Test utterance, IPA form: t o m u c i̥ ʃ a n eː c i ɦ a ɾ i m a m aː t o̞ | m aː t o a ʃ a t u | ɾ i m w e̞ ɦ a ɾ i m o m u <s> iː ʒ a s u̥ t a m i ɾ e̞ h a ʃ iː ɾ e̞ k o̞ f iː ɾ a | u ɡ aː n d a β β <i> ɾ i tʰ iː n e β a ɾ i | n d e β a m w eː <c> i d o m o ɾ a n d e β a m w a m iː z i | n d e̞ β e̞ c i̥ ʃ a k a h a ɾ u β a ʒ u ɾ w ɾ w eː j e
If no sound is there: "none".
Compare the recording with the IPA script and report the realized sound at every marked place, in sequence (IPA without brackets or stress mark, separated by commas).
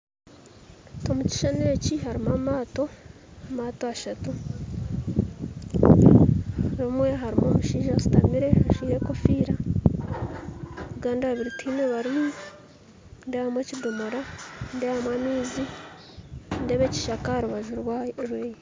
ʃ, i, c